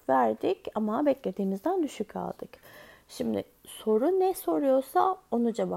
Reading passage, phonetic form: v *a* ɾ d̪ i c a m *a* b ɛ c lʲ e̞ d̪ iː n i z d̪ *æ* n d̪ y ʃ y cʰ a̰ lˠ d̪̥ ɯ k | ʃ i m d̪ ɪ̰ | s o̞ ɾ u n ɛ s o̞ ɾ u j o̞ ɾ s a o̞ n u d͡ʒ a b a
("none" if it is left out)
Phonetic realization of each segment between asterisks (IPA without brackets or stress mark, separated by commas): æ, a, æ